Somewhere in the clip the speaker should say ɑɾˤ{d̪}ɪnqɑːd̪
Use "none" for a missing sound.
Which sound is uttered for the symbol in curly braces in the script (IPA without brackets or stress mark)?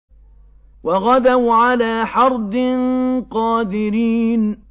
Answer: d̪